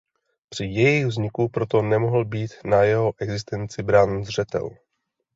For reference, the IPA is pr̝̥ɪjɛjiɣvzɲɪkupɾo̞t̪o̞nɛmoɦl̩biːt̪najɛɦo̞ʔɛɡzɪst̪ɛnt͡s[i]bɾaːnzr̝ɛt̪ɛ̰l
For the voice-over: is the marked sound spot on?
no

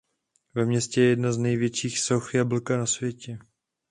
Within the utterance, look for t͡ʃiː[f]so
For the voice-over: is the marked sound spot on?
no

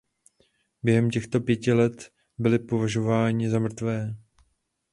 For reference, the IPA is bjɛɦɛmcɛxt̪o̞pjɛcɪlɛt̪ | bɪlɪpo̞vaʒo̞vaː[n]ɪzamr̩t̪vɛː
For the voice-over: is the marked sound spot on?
no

